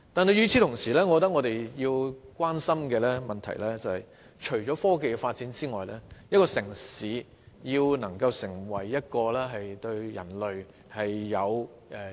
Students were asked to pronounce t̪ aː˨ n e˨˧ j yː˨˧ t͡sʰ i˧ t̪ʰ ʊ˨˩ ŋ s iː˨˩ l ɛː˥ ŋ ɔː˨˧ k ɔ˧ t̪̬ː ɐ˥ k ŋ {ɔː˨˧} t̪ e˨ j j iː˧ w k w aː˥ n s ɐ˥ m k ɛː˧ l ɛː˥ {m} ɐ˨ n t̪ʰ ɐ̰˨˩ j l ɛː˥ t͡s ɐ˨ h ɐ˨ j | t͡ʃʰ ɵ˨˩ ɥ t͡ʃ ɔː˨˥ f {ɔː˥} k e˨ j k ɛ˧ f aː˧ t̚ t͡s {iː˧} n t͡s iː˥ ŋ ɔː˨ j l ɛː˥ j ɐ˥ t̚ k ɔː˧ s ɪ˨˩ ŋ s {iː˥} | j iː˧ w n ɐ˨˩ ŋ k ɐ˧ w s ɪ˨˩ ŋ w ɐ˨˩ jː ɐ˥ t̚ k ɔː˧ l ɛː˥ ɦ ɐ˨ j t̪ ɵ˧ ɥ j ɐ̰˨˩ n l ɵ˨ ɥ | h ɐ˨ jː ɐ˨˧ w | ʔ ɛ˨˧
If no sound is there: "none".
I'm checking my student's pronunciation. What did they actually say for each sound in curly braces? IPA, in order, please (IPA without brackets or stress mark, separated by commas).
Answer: ɔ˨˧, m, ɔː˥, iː˨˥, iː˨˧˥